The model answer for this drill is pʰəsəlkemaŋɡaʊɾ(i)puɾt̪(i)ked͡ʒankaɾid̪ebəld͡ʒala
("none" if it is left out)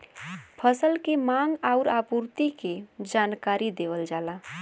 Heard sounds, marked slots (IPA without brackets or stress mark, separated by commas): a, i